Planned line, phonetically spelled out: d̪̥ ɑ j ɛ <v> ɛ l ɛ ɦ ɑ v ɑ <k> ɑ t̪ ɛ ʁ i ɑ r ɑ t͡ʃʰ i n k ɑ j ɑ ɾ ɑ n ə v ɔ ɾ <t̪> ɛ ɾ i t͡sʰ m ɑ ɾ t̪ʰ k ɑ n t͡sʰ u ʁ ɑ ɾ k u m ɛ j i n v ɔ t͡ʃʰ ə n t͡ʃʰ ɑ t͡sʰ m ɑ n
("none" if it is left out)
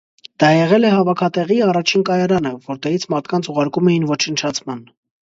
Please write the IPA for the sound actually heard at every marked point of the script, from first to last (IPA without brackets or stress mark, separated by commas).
ʁ, kʰ, t̪